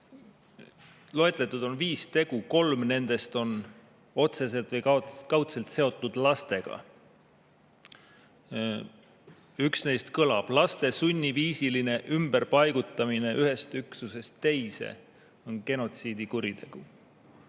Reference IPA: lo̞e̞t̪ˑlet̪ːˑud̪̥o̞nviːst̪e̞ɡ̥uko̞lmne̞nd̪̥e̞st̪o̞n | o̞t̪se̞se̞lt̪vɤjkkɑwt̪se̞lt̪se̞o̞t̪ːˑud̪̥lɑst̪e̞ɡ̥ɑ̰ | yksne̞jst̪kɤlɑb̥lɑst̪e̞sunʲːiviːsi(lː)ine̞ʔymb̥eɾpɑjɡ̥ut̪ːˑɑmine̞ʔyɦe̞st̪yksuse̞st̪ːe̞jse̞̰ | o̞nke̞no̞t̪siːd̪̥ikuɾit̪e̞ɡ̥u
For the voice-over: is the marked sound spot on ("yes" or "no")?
no